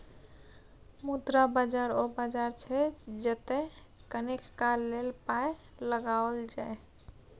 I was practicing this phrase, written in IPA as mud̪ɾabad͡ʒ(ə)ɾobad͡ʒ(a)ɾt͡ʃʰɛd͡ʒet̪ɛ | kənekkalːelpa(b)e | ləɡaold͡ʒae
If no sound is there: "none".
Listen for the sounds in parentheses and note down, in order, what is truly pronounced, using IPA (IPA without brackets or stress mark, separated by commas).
a, a, none